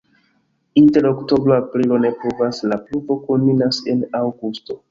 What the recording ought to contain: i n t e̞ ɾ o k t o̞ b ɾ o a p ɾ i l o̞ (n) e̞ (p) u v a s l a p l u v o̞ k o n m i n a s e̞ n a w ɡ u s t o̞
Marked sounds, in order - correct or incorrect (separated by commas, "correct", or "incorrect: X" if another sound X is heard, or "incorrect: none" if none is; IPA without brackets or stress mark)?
correct, correct